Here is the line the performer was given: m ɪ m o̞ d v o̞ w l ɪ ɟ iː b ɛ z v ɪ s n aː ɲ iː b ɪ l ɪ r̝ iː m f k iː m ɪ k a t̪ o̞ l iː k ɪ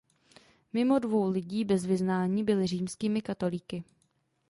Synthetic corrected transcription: m ɪ m o̞ d v o̞ w l ɪ ɟ iː b ɛ z v ɪ z n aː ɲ iː b ɪ l ɪ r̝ iː m s k iː m ɪ k a t̪ o̞ l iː k ɪ

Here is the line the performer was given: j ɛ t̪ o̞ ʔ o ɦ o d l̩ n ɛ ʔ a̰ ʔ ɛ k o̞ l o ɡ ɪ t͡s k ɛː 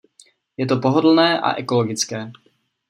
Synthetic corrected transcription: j ɛ t̪ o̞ p o ɦ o d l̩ n ɛː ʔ a̰ ʔ ɛ k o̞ l o ɡ ɪ t͡s k ɛː

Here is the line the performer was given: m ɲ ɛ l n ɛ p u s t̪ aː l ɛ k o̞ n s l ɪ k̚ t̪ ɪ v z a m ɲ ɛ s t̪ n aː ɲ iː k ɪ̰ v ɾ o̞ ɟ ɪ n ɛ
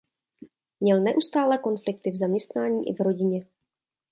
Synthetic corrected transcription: m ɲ ɛ l n ɛ ʔ u s t̪ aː l ɛ k o̞ n f l ɪ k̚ t̪ ɪ v z a m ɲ ɛ s t̪ n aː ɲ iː ʔ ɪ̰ v ɾ o̞ ɟ ɪ ɲ ɛ

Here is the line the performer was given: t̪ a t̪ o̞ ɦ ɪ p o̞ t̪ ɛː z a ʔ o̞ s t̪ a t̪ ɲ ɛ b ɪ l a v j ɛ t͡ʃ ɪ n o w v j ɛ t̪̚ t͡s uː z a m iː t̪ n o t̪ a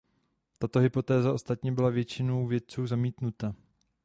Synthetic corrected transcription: t̪ a t̪ o̞ ɦ ɪ p o̞ t̪ ɛː z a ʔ o̞ s t̪ a t̪ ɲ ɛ b ɪ l a v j ɛ t͡ʃ ɪ n o w v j ɛ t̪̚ t͡s uː z a m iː t̪ n u t̪ a

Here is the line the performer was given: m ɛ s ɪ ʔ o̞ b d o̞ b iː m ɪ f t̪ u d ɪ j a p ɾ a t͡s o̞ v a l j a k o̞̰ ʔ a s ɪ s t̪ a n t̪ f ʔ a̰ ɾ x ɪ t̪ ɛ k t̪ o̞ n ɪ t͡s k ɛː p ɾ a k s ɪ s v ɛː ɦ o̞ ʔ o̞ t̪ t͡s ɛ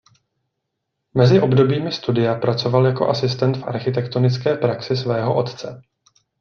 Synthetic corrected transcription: m ɛ z ɪ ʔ o̞ b d o̞ b iː m ɪ s t̪ u d ɪ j a p ɾ a t͡s o̞ v a l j a k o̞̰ ʔ a s ɪ s t̪ ɛ n t̪ f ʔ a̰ ɾ x ɪ t̪ ɛ k t̪ o̞ n ɪ t͡s k ɛː p ɾ a k s ɪ s v ɛː ɦ o̞ ʔ o̞ t̪ t͡s ɛ

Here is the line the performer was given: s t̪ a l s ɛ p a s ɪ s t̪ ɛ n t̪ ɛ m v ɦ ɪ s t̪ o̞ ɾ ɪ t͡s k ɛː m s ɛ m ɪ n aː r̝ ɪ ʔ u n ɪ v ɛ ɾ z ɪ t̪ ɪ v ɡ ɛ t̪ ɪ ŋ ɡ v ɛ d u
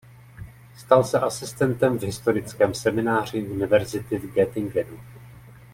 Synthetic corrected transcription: s t̪ a l s ɛ ʔ a s ɪ s t̪ ɛ n t̪ ɛ m v ɦ ɪ s t̪ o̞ ɾ ɪ t͡s k ɛː m s ɛ m ɪ n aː r̝ ɪ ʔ u n ɪ v ɛ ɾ z ɪ t̪ ɪ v ɡ ɛ t̪ ɪ ŋ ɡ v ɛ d u

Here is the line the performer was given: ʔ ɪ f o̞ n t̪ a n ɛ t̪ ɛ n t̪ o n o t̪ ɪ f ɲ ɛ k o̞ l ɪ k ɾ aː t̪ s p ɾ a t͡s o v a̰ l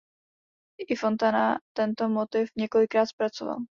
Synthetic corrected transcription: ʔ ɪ f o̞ n t̪ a n a t̪ ɛ n t̪ o m o t̪ ɪ f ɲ ɛ k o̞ l ɪ k ɾ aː t̪ s p ɾ a t͡s o v a̰ l

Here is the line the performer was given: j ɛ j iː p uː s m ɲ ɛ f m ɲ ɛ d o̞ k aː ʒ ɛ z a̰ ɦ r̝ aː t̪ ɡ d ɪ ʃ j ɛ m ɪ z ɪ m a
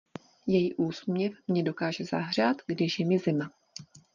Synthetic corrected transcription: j ɛ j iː ʔ uː s m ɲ ɛ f m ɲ ɛ d o̞ k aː ʒ ɛ z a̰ ɦ r̝ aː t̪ ɡ d ɪ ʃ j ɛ m ɪ z ɪ m a

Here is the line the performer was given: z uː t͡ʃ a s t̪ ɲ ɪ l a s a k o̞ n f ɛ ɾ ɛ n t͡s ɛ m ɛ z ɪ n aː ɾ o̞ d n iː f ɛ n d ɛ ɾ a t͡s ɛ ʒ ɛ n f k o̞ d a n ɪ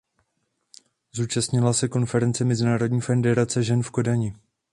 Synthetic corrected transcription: z uː t͡ʃ a s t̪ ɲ ɪ l a s ɛ k o̞ n f ɛ ɾ ɛ n t͡s ɛ m ɛ z ɪ n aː ɾ o̞ d ɲ iː f ɛ n d ɛ ɾ a t͡s ɛ ʒ ɛ n f k o̞ d a ɲ ɪ

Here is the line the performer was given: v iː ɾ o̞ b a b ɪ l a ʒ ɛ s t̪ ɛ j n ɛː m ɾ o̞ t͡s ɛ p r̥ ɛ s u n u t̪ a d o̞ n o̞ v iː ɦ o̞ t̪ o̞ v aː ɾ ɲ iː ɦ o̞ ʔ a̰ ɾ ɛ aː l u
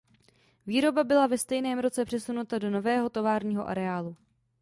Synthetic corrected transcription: v iː ɾ o̞ b a b ɪ l a v ɛ s t̪ ɛ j n ɛː m ɾ o̞ t͡s ɛ p r̥ ɛ s u n u t̪ a d o̞ n o̞ v ɛː ɦ o̞ t̪ o̞ v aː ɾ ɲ iː ɦ o̞ ʔ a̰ ɾ ɛ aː l u

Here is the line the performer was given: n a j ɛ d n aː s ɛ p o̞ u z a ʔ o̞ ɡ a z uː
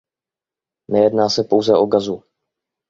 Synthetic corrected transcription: n ɛ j ɛ d n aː s ɛ p o̞ w z ɛ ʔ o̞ ɡ a z u

